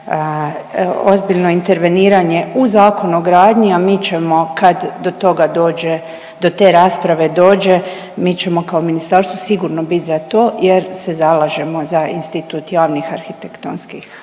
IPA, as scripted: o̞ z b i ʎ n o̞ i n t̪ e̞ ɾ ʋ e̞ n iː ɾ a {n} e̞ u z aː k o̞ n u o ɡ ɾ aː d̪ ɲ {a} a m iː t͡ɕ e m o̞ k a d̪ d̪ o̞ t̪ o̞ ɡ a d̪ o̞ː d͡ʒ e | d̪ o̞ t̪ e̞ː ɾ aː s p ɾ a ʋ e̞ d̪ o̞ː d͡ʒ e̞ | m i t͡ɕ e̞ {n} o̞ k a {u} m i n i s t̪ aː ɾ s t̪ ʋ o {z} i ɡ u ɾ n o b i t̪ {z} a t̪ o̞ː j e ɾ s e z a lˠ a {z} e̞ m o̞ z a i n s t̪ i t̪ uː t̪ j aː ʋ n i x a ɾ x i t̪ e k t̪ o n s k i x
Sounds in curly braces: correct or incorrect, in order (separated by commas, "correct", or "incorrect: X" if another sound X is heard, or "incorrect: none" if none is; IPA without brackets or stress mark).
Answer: incorrect: ɲ, incorrect: i, incorrect: m, incorrect: o, incorrect: s, correct, incorrect: ʒ